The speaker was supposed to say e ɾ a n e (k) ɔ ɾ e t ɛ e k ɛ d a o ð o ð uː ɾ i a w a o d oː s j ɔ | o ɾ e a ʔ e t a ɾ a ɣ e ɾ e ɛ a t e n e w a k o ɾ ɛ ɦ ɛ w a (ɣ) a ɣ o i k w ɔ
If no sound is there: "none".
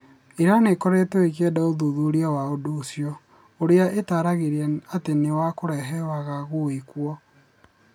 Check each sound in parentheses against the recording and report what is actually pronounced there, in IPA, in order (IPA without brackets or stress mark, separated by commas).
k, ɣ